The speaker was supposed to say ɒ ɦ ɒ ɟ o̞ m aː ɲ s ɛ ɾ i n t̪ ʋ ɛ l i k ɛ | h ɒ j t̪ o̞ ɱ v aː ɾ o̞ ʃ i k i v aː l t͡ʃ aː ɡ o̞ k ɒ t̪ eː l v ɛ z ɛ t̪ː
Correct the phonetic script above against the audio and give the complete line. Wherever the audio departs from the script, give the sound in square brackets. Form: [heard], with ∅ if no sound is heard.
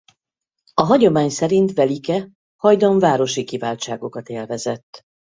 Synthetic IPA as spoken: ɒ ɦ ɒ ɟ o̞ m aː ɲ s ɛ ɾ i n t̪ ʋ ɛ l i k ɛ | h ɒ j [d̪] o̞ ɱ v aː ɾ o̞ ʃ i k i v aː l t͡ʃ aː ɡ o̞ k ɒ t̪ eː l v ɛ z ɛ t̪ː

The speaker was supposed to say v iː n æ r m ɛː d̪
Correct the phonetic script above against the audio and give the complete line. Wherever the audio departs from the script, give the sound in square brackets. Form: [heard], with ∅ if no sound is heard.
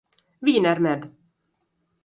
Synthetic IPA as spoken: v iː n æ [ɾ] m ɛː d̪

